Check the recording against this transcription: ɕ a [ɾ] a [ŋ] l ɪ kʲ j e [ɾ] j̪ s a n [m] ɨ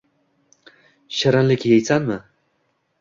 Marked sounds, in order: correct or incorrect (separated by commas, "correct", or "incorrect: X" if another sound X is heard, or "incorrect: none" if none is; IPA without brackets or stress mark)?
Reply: correct, incorrect: n, incorrect: none, correct